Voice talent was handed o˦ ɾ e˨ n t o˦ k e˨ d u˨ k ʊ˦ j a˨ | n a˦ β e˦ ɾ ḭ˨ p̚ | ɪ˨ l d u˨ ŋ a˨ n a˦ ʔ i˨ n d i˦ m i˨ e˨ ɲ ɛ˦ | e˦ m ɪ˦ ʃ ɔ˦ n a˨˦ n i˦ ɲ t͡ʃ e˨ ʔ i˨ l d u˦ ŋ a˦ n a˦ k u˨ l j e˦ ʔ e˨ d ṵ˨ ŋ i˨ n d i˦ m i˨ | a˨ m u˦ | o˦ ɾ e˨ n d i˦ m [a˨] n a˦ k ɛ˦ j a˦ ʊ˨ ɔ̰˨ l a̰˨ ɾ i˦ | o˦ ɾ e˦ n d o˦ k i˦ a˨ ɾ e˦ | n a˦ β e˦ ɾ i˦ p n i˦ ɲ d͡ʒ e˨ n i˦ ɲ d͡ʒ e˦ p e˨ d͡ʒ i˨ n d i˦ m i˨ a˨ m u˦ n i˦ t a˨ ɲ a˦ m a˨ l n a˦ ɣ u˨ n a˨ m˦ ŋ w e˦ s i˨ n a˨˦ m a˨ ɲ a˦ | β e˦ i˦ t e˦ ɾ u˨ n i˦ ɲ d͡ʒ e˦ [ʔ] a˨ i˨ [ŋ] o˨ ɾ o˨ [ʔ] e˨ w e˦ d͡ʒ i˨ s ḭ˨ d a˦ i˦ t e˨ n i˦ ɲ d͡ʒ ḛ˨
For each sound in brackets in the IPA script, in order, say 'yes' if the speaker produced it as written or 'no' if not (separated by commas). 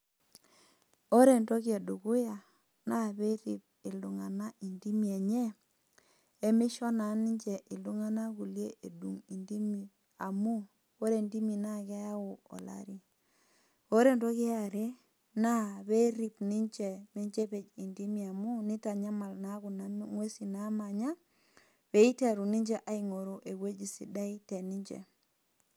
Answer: no, yes, yes, yes